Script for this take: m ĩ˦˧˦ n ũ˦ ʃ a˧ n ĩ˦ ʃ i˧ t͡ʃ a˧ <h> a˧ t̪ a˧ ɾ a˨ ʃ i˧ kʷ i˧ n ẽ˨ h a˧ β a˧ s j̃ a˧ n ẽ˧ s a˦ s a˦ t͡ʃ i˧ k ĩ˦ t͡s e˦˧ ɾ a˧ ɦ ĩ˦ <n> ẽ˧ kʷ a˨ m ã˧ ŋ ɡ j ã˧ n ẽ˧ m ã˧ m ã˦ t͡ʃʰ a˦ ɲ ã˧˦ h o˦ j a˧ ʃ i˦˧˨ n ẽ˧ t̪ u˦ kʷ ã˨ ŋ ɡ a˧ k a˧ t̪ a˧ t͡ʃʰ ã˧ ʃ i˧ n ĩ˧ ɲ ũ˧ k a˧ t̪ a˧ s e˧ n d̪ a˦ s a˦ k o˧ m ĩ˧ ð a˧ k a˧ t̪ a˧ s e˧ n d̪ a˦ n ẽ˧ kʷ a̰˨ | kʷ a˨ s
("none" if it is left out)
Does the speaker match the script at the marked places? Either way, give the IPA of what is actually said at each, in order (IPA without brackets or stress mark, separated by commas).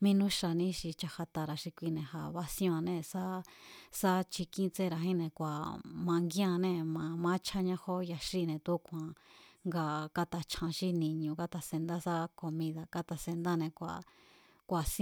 h, n